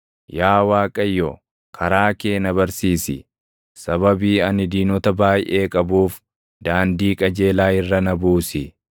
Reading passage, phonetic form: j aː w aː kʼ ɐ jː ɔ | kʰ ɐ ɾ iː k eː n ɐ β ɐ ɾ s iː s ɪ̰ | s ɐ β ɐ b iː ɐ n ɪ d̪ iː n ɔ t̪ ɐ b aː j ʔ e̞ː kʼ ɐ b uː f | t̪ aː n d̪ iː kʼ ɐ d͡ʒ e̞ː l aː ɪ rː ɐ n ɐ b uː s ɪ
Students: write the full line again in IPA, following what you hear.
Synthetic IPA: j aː w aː kʼ ɐ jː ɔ | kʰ ɐ ɾ aː k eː n ɐ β ɐ ɾ s iː s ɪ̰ | s ɐ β ɐ b iː ɐ n ɪ d̪ iː n ɔ t̪ ɐ b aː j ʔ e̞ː kʼ ɐ b uː f | d̪ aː n d̪ iː kʼ ɐ d͡ʒ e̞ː l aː ɪ rː ɐ n ɐ b uː s ɪ

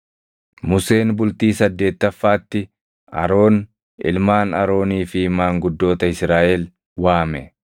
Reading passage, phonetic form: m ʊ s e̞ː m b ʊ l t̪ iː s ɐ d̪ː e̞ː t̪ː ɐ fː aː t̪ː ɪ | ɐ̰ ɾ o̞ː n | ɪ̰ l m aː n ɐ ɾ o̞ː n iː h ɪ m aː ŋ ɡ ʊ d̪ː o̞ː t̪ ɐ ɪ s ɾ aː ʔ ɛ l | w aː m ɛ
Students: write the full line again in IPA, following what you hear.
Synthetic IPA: m ʊ s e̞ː n b ʊ l t̪ iː s ɐ d̪ː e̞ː t̪ː ɐ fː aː t̪ː ɪ | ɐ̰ ɾ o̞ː n | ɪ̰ l m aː n ɐ ɾ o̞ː n iː f ɪ m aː ŋ ɡ ʊ d̪ː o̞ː t̪ ɐ ɪ s ɾ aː ʔ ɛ l | w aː m ɛ

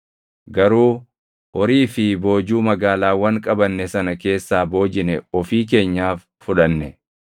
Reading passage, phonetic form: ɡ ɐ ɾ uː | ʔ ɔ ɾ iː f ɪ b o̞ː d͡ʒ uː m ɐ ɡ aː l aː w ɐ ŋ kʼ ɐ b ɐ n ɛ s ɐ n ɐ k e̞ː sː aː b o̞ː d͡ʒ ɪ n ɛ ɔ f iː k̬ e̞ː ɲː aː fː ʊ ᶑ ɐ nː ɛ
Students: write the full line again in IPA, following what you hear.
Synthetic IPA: ɡ ɐ ɾ uː | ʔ ɔ ɾ iː f ɪ b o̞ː d͡ʒ uː m ɐ ɡ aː l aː w ɐ ŋ kʼ ɐ b ɐ nː ɛ s ɐ n ɐ k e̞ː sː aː b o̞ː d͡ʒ ɪ n ɛ ɔ f iː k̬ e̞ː ɲː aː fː ʊ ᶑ ɐ nː ɛ

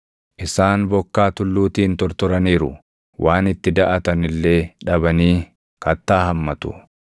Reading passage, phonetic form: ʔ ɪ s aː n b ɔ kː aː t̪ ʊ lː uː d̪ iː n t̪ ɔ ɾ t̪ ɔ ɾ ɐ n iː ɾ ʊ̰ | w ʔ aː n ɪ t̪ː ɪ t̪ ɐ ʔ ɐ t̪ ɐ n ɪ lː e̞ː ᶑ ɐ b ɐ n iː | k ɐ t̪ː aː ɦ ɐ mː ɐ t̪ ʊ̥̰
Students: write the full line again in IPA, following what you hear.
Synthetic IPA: ʔ ɪ s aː n b ɔ kː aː t̪ ʊ lː uː t̪ iː n t̪ ɔ ɾ t̪ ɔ ɾ ɐ n iː ɾ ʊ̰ | w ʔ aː n ɪ t̪ː ɪ d̪ ɐ ʔ ɐ t̪ ɐ n ɪ lː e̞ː ᶑ ɐ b ɐ n iː | k ɐ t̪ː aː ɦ ɐ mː ɐ t̪ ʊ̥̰

